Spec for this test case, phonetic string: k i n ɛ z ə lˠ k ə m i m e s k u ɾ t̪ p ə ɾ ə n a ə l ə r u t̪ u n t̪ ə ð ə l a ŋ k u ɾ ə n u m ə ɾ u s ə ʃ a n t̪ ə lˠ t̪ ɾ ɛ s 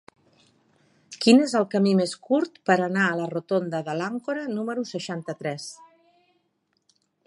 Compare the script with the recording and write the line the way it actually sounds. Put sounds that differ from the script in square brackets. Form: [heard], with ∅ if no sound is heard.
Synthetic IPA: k i n [e] z ə lˠ k ə m i m e s k u ɾ t̪ p ə ɾ ə n a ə l ə r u t̪ [o] n [d̪] ə ð ə l a ŋ k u ɾ ə n u m ə ɾ u s ə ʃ a n t̪ ə [∅] t̪ ɾ ɛ s